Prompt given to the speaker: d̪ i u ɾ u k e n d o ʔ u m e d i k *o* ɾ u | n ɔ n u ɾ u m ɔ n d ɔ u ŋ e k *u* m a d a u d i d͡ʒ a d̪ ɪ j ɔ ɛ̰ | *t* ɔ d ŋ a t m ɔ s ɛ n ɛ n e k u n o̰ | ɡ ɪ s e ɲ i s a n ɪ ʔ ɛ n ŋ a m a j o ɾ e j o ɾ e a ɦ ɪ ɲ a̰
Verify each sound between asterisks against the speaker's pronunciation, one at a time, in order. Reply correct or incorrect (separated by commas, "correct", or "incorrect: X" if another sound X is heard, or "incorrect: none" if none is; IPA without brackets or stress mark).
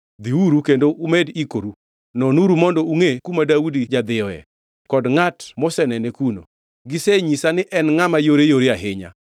correct, correct, incorrect: k